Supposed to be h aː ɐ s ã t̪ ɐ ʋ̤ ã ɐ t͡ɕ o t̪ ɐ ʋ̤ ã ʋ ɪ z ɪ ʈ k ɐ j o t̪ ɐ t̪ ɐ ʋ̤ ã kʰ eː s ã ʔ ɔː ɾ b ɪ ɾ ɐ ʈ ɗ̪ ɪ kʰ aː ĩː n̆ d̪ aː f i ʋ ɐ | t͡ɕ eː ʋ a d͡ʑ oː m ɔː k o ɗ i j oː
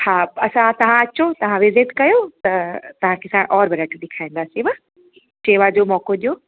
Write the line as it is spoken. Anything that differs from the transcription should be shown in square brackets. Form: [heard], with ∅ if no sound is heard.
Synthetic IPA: h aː ɐ s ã t̪ ɐ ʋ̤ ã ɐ t͡ɕ o t̪ ɐ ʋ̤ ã ʋ ɪ z ɪ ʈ k ɐ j o t̪ ɐ t̪ ɐ ʋ̤ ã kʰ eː s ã ʔ ɔː ɾ b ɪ ɾ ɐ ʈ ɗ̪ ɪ kʰ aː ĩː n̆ d̪ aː [s] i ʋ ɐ | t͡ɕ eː ʋ a d͡ʑ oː m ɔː k o ɗ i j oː